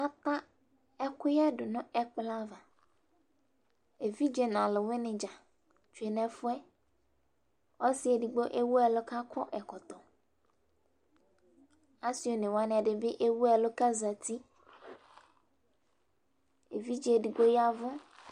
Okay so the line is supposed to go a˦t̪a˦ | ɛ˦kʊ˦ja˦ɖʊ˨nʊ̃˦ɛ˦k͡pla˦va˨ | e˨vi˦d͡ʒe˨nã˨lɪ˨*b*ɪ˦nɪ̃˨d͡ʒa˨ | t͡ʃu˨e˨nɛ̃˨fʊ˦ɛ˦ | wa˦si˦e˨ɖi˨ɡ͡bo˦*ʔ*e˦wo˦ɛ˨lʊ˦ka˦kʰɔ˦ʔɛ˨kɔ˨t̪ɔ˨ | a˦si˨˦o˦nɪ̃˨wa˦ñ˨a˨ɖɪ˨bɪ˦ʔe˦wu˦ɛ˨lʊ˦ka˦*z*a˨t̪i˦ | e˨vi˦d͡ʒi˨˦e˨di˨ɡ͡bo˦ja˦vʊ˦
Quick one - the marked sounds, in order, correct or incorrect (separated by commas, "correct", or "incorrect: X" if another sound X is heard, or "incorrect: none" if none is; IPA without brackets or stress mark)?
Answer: incorrect: w, correct, correct